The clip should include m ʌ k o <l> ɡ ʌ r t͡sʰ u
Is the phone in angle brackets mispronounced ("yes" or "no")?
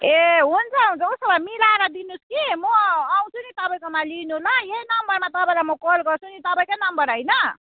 no